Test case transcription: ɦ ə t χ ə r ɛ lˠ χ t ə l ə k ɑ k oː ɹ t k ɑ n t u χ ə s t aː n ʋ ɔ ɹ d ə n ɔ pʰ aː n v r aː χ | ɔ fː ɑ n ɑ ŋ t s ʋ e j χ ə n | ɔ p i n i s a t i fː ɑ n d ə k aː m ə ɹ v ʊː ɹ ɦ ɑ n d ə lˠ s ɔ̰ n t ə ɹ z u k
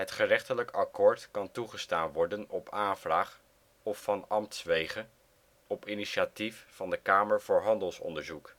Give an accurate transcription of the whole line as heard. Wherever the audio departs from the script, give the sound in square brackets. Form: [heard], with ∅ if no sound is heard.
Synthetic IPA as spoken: ɦ ə t χ ə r ɛ [∅] χ t ə l ə k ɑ k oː ɹ t k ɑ n t u χ ə s t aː n ʋ ɔ ɹ d ə n ɔ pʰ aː n v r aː χ | ɔ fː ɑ n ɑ [m] t s ʋ e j χ ə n | ɔ p i n i [ʃ] a t i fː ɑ n d ə k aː m ə ɹ v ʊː ɹ ɦ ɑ n d ə lˠ s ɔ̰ n [d] ə ɹ z u k